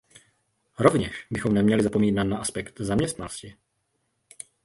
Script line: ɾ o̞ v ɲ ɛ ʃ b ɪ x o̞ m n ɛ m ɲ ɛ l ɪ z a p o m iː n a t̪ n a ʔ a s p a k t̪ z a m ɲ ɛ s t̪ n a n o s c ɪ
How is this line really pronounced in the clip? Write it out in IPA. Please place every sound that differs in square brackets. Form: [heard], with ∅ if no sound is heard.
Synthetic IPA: ɾ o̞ v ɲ ɛ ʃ b ɪ x o̞ m n ɛ m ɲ ɛ l ɪ z a p o m iː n a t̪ n a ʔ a s p [ɛ] k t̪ z a m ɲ ɛ s t̪ n a n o s c ɪ